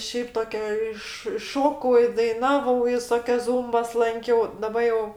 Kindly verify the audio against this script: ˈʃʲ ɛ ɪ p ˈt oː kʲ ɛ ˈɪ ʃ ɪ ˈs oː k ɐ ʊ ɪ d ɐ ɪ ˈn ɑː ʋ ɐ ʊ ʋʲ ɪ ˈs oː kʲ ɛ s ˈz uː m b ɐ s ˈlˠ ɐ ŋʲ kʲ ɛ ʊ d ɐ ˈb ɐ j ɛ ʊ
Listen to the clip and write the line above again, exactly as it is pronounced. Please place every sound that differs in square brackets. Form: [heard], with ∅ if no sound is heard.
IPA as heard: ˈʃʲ ɛ ɪ p ˈt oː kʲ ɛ ˈɪ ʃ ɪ [ˈʃ] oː k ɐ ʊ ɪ d ɐ ɪ ˈn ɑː ʋ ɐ ʊ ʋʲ ɪ ˈs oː kʲ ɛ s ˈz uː m b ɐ s ˈlˠ ɐ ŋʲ kʲ ɛ ʊ d ɐ ˈb ɐ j ɛ ʊ